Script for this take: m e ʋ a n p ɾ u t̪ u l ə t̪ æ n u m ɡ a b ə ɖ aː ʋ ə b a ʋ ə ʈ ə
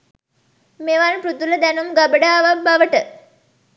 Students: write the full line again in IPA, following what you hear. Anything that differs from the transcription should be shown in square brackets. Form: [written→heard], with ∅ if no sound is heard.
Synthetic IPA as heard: m e ʋ a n p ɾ u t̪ u l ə [t̪→d̪] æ n u m ɡ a b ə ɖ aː ʋ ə b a ʋ ə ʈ ə